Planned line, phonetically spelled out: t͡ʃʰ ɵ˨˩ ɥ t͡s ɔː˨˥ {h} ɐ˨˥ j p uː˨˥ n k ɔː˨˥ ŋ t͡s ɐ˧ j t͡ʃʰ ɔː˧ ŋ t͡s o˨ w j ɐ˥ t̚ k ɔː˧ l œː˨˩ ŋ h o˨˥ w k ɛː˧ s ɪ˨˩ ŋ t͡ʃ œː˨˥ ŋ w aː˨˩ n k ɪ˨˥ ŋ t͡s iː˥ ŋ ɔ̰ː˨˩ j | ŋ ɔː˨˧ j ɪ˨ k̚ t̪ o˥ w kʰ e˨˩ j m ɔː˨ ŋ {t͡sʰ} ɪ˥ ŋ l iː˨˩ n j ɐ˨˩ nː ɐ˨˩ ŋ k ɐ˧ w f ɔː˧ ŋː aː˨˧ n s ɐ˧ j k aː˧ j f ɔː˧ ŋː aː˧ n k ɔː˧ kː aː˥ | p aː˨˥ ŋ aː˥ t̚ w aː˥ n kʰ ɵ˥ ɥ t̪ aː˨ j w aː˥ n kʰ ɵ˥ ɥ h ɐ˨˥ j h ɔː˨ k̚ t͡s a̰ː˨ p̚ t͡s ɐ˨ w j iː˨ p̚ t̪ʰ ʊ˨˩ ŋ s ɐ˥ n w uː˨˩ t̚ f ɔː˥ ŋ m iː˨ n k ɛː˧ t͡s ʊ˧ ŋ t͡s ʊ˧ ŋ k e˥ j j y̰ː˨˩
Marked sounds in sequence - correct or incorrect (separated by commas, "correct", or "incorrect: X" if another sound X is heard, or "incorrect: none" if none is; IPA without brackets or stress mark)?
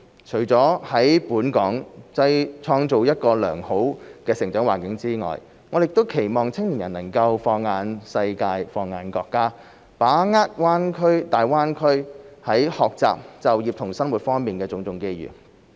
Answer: correct, correct